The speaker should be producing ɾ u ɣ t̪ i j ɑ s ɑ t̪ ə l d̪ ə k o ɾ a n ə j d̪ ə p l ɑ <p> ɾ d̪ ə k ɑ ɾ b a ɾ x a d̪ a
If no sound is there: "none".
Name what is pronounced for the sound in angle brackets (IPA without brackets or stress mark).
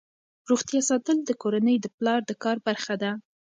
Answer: none